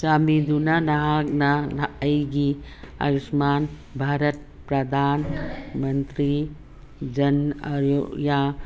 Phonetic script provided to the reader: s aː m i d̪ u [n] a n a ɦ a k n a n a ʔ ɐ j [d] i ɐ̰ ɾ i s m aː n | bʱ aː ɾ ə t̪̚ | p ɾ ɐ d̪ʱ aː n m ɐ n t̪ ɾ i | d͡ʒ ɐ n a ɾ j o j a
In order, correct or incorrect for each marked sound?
correct, incorrect: ɡ

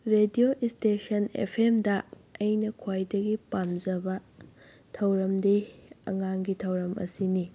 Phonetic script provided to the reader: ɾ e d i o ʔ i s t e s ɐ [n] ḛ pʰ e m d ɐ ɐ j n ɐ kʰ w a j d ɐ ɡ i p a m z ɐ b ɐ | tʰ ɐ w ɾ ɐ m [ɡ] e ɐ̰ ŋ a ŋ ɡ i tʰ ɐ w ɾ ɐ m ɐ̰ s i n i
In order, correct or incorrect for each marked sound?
correct, incorrect: d

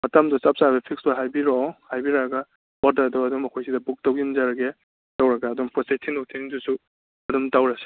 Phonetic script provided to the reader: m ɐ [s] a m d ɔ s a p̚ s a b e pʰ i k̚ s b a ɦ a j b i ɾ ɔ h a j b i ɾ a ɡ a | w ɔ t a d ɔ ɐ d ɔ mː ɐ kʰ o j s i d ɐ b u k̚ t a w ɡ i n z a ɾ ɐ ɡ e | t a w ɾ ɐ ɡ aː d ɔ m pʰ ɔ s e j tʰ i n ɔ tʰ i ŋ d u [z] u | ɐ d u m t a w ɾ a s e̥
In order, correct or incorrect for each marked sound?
incorrect: t, incorrect: s

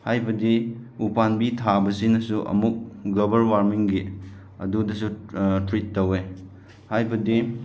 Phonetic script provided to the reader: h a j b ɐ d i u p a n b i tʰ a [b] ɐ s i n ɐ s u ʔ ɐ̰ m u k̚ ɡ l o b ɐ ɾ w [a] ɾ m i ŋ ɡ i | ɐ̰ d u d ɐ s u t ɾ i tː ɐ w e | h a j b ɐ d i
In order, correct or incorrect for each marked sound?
correct, correct

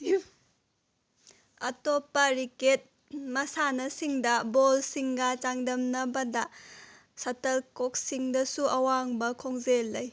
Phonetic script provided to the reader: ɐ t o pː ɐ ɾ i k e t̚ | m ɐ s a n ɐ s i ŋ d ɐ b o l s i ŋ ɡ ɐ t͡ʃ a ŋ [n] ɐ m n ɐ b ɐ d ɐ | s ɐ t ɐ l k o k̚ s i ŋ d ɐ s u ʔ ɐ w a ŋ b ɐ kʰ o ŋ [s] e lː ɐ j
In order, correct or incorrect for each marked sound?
incorrect: d, incorrect: z

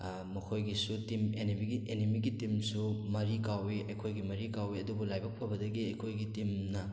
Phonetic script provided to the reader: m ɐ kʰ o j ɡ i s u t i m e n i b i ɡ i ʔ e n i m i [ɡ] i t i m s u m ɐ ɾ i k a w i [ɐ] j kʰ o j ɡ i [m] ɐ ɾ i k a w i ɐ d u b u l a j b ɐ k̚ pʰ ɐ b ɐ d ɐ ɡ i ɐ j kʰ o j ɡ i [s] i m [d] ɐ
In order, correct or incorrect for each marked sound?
correct, correct, correct, incorrect: t, incorrect: n

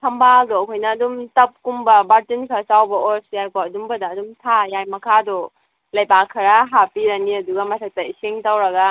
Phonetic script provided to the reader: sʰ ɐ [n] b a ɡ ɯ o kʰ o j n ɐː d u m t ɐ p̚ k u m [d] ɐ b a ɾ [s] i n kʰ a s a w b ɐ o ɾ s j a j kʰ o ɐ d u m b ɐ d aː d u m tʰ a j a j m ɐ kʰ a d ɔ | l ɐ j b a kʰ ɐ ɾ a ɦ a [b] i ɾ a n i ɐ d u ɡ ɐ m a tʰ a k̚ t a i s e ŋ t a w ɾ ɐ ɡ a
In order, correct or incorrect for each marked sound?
incorrect: m, incorrect: b, incorrect: t, incorrect: p

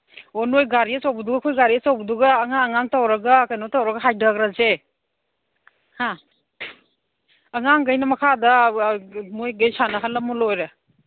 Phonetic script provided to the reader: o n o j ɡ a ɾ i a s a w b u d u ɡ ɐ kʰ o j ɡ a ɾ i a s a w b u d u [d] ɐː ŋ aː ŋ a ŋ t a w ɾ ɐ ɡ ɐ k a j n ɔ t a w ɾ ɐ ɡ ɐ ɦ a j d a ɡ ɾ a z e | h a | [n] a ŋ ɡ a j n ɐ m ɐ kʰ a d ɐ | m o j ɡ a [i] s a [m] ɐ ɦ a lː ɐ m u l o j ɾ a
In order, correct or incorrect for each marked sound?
incorrect: ɡ, incorrect: ŋ, incorrect: j, incorrect: n

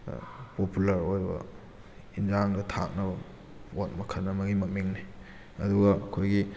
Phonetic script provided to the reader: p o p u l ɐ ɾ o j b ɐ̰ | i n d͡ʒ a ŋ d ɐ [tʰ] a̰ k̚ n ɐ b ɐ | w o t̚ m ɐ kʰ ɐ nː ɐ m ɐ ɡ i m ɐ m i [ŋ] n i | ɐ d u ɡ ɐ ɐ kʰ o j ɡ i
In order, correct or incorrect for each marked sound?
correct, correct

